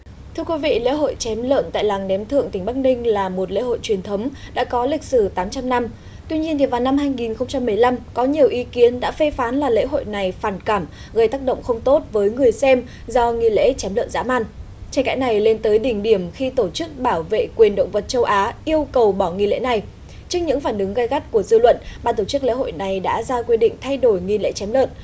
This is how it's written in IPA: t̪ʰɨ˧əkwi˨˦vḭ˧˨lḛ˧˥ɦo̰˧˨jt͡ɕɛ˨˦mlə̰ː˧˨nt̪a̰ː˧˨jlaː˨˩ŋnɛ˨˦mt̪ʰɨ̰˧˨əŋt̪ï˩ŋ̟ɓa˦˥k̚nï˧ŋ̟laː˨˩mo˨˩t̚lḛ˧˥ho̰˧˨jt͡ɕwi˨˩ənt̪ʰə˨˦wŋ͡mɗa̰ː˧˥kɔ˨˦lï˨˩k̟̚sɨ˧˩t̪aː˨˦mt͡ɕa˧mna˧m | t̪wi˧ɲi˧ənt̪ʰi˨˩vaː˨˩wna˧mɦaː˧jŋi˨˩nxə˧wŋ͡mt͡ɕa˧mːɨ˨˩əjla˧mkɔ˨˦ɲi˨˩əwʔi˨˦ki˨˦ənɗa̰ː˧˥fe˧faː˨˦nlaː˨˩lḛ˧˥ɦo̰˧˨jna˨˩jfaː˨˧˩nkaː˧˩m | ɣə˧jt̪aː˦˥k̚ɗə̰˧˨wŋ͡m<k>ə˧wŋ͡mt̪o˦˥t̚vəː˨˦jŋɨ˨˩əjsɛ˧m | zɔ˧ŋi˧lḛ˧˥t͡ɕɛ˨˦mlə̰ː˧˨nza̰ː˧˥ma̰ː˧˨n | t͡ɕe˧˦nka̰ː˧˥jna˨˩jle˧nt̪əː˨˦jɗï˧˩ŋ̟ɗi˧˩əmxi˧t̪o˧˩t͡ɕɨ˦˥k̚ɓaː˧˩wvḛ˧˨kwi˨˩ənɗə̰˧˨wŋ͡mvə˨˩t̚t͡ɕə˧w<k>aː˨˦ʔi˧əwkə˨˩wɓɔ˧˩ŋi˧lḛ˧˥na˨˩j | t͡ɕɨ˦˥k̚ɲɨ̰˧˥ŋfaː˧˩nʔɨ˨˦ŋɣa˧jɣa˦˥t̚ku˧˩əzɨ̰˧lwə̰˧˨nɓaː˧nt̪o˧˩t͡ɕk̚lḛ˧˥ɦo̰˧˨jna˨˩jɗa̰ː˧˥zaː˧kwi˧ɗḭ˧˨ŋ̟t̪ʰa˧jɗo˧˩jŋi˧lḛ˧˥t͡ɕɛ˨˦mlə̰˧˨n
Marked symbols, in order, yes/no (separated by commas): no, no